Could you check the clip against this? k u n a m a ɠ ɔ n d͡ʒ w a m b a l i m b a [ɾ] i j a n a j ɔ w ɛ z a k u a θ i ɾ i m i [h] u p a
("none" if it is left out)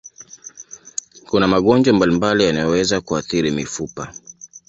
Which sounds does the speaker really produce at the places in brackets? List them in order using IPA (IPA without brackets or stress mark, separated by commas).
l, f